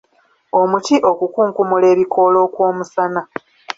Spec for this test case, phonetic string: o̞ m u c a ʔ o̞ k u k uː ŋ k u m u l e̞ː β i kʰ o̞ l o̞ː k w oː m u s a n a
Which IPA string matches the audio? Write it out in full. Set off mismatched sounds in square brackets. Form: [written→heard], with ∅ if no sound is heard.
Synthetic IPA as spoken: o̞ m u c [a→i] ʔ o̞ k u k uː ŋ k u m u l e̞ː β i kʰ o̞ l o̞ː k w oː m u s a n a